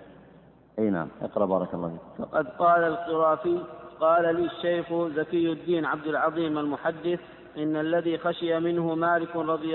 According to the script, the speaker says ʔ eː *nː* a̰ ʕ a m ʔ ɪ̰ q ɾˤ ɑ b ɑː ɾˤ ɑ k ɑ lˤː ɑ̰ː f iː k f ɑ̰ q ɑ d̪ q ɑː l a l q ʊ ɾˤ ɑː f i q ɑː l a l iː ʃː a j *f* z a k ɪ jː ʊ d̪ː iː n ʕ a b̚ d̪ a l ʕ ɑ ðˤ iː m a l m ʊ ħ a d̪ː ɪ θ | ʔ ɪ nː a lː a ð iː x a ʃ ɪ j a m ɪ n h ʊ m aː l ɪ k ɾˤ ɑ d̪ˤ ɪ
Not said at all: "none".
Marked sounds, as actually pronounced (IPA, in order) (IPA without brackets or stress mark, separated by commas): n, x